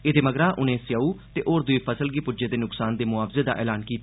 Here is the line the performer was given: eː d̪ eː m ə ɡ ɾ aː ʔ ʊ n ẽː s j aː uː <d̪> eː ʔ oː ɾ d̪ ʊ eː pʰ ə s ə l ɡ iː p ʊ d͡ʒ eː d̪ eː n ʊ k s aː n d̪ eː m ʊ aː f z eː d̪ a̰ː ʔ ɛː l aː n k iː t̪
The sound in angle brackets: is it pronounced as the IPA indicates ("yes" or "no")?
no